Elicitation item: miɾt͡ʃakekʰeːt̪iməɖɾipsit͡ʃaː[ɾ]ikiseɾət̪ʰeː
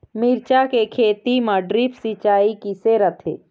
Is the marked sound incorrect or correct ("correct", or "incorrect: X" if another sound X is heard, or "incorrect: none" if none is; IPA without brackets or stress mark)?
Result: incorrect: none